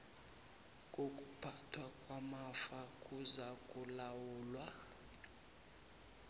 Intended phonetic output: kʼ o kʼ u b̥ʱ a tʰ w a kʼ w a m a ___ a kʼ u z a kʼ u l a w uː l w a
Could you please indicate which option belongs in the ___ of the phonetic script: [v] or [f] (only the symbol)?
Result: f